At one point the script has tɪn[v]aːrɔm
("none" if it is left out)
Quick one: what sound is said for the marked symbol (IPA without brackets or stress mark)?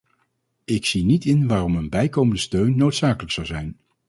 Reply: ʋ